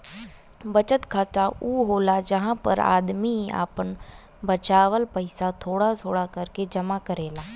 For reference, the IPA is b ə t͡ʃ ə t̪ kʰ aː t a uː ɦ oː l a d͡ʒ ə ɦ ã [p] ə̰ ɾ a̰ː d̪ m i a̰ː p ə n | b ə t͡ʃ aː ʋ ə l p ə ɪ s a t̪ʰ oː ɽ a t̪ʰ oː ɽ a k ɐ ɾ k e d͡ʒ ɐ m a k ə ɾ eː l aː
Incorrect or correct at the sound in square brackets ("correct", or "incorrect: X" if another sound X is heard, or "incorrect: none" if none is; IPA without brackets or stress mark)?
correct